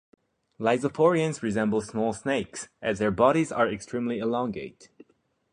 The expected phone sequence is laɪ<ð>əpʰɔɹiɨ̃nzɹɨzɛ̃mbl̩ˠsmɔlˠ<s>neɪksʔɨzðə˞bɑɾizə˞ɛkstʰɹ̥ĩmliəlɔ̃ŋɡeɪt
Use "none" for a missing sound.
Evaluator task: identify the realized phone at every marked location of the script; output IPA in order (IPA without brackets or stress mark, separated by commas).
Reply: z, s